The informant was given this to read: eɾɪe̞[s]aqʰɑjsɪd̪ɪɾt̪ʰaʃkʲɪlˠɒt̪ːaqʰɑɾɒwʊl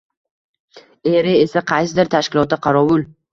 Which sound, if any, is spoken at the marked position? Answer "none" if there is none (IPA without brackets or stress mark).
s